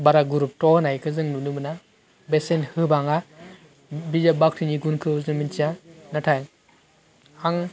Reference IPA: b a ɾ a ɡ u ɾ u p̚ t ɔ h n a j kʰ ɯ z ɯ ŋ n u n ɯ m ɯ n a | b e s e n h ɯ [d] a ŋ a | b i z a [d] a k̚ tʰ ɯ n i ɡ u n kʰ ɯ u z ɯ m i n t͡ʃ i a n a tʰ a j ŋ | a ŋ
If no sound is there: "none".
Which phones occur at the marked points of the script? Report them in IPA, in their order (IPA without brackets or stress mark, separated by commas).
b, b